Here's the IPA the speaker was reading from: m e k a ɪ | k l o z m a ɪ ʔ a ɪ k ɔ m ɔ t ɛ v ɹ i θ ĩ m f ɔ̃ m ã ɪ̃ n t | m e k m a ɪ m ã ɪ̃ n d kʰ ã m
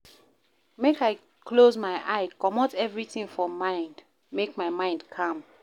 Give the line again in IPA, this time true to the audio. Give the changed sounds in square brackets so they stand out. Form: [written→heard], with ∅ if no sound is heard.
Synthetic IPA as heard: m e k a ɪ | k l o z m a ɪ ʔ a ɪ k ɔ m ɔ t ɛ v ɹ i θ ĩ [m→ŋ] f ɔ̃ m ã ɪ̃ n [t→d] | m e k m a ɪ m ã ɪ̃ n d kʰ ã m